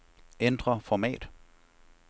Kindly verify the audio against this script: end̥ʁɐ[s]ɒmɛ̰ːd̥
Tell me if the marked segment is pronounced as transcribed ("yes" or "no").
no